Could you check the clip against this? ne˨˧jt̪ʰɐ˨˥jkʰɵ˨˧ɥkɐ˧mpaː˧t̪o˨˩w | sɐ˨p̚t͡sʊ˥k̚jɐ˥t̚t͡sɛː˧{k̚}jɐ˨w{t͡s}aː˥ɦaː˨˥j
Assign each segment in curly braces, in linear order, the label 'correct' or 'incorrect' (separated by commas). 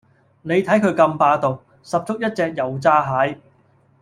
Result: correct, correct